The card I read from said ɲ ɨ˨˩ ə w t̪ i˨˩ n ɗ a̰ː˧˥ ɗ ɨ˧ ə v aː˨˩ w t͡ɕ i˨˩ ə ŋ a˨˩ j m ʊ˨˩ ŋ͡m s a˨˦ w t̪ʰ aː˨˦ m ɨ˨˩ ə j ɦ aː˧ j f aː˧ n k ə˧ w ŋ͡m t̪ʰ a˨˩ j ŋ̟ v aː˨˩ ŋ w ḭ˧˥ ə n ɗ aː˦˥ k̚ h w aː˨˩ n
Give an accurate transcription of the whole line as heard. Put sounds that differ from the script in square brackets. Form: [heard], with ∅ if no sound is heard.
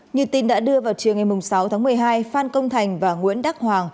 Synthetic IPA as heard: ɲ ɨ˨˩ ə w t̪ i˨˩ n ɗ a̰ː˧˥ ɗ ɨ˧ ə v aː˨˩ w t͡ɕ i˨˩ ə ŋ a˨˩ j m ʊ˨˩ ŋ͡m s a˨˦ w t̪ʰ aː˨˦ m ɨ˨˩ ə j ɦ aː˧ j f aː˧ n k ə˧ w ŋ͡m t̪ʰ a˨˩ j ŋ̟ v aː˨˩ ŋ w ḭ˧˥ ə n ɗ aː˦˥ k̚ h w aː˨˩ [ŋ]